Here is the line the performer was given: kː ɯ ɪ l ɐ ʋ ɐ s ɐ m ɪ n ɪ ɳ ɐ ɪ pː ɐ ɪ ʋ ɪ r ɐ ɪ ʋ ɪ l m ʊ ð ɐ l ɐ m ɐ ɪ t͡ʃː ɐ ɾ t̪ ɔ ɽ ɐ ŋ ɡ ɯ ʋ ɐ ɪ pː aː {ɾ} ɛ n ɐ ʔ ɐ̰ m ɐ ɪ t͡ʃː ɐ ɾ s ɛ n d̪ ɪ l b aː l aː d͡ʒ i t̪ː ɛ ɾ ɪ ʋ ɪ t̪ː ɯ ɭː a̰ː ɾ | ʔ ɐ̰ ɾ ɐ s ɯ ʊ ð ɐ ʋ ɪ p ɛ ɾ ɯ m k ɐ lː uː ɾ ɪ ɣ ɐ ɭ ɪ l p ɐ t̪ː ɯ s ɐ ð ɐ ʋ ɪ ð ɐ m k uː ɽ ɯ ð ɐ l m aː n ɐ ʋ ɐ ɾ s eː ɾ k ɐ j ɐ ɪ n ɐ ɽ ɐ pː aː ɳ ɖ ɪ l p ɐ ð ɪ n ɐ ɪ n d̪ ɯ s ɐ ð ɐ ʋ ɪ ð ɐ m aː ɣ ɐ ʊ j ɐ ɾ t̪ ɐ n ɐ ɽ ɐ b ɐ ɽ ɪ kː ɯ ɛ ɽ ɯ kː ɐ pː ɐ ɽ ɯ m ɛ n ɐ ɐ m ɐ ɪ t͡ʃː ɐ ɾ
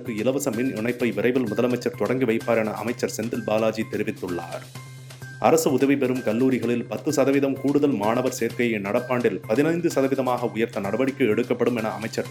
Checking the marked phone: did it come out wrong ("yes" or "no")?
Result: no